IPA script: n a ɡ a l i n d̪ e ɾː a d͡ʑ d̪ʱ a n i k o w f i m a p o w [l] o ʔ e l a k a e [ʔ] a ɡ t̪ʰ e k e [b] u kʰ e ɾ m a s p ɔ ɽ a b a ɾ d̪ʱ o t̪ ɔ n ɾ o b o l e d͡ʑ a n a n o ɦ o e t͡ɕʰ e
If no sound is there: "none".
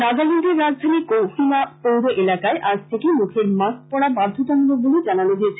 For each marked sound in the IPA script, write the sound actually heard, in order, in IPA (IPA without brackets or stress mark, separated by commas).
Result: ɾ, ʔ, m